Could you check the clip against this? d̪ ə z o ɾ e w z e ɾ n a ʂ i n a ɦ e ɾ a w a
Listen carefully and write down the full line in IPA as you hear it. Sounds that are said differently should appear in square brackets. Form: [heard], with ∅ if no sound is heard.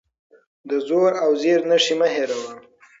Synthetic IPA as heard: d̪ ə z o ɾ [a] w z e ɾ n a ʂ i [m] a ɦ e ɾ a w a